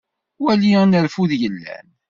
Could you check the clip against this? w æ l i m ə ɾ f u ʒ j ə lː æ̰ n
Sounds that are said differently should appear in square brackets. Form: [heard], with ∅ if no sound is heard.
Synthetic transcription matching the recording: w æ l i [n] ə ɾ f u [ð] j ə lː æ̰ n